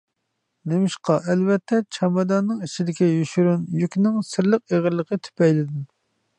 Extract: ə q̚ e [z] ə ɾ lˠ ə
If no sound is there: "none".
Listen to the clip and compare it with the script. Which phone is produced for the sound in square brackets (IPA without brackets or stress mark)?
ʁ